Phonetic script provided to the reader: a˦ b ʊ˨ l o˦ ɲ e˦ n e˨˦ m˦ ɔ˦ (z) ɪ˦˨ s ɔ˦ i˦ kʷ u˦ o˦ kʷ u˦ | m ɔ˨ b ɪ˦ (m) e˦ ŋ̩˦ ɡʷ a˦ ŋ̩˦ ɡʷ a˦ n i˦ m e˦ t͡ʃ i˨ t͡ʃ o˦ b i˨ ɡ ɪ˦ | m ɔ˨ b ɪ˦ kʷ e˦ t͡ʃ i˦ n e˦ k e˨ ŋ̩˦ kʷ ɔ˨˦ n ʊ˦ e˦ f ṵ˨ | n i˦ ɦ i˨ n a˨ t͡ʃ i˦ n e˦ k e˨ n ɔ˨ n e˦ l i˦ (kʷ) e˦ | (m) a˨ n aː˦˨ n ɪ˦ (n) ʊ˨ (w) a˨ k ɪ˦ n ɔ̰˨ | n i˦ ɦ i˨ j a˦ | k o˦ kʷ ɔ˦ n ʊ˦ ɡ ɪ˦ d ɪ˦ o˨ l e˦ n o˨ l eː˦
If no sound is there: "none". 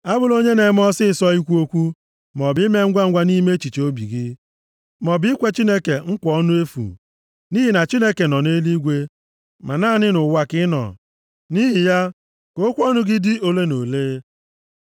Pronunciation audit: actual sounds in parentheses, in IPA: s, m, ɡʷ, m, n, w

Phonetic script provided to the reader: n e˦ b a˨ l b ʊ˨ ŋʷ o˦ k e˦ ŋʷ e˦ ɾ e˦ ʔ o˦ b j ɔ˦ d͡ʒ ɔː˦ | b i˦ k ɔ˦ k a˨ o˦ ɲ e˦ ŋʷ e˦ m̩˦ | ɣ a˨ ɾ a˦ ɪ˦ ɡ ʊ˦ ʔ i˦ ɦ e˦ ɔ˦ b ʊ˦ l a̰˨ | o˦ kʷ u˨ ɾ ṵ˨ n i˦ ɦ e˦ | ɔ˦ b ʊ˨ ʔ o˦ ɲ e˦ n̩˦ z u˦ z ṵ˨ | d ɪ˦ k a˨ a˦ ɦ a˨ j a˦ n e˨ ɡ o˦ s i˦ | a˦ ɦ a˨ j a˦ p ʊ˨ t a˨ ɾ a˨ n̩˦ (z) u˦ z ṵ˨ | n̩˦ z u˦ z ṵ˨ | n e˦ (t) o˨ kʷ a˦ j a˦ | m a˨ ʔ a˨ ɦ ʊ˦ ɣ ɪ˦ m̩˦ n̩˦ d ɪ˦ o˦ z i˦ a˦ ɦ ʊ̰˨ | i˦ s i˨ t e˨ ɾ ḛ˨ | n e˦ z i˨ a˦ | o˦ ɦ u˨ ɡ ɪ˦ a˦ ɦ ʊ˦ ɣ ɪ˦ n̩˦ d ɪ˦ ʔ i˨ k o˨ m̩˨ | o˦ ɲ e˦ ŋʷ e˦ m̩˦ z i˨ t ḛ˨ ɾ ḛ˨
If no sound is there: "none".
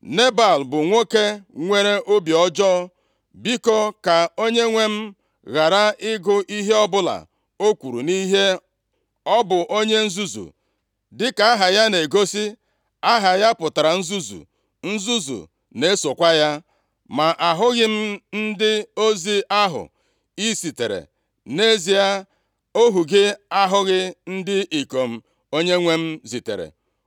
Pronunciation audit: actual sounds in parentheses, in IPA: z, s

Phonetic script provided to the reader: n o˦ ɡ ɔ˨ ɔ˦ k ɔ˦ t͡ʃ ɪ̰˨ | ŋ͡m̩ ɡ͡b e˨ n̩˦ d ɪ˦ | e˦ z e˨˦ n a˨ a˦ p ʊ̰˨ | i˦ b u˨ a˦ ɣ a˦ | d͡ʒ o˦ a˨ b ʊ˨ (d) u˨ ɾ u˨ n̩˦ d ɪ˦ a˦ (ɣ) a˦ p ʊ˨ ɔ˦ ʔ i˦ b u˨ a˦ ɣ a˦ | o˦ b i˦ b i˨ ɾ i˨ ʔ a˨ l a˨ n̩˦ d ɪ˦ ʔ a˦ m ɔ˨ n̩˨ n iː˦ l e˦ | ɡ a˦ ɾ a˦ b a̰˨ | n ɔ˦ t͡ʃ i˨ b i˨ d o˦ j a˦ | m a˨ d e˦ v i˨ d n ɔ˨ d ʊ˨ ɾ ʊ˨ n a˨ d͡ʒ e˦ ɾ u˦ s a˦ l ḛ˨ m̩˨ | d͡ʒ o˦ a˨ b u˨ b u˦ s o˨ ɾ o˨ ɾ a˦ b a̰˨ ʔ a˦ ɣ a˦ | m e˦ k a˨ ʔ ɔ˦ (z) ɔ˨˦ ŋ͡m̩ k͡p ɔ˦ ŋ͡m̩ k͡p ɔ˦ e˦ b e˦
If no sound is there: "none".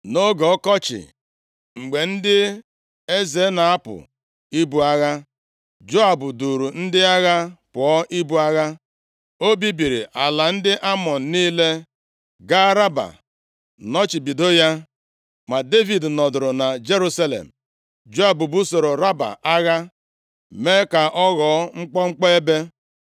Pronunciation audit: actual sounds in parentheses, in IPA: d, ɣ, ɣ

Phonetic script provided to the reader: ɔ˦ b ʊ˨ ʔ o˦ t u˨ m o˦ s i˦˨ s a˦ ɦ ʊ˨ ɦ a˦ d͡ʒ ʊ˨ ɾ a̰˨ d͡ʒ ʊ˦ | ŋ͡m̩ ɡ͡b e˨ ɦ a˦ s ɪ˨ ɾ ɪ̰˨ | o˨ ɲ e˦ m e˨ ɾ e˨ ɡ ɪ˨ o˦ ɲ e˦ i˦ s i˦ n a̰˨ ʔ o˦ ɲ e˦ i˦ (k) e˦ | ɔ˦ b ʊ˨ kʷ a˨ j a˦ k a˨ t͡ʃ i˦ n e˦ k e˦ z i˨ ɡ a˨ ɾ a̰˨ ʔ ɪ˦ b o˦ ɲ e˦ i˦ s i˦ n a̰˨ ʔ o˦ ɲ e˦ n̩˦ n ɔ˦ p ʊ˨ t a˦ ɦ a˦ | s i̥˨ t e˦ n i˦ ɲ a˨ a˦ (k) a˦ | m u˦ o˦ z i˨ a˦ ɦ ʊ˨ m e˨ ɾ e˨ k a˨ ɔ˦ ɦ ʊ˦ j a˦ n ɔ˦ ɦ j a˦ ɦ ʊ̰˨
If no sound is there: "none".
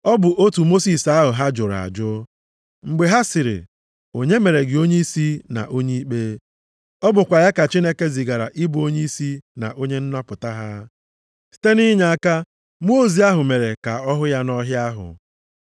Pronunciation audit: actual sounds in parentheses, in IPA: k͡p, k

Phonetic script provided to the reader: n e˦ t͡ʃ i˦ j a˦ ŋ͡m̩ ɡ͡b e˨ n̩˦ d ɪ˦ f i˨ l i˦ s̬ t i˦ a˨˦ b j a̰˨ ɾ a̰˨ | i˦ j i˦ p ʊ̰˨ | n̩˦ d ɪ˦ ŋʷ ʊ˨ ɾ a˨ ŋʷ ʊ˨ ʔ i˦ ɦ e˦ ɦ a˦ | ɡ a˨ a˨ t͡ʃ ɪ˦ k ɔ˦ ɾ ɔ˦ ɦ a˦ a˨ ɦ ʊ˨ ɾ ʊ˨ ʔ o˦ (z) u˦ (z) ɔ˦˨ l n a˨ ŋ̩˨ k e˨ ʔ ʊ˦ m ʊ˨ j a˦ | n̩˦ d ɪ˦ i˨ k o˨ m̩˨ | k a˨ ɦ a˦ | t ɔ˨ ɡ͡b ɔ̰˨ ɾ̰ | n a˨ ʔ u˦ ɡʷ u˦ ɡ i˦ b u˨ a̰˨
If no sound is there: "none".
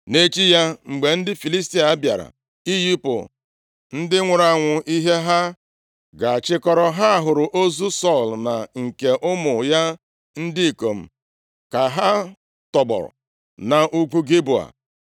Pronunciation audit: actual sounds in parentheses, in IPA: z, s

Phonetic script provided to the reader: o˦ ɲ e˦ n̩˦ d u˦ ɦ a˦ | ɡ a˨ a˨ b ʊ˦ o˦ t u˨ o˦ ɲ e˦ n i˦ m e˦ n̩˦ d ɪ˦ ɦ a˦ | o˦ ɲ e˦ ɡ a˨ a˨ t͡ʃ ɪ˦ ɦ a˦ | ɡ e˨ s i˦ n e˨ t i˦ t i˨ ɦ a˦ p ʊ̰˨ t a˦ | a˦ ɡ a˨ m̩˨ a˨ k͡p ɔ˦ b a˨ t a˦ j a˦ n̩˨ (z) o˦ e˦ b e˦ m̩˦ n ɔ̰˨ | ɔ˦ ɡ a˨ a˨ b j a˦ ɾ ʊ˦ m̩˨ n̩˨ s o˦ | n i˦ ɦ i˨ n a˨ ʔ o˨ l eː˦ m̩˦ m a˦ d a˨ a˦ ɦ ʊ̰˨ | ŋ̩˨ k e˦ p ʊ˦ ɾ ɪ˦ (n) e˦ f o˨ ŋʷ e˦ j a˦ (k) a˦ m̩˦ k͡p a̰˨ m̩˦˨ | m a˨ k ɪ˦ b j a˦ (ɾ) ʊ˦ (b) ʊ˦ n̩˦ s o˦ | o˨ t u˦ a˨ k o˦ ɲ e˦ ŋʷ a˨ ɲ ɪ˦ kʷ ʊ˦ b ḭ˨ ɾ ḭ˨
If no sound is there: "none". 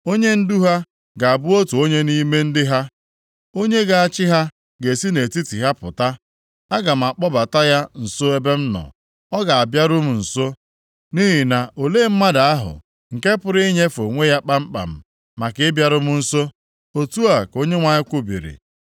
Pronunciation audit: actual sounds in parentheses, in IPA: s, ɲ, k͡p, ɾ, m

